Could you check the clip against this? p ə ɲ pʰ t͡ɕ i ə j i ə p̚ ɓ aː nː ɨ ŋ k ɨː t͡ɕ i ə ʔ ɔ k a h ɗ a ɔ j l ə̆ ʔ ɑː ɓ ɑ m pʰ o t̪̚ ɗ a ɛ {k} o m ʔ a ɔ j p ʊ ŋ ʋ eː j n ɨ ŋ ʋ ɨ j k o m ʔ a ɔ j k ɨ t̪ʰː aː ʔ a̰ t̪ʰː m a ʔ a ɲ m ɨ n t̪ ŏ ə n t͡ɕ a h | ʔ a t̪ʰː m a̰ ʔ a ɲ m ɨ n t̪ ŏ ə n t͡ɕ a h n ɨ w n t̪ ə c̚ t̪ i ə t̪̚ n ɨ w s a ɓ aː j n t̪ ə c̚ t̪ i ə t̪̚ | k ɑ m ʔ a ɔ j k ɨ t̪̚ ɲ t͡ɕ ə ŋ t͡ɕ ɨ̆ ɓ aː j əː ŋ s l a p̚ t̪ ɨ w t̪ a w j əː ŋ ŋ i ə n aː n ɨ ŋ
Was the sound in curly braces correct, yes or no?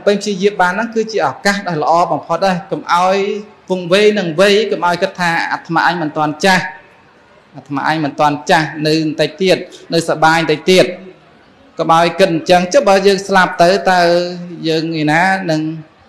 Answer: yes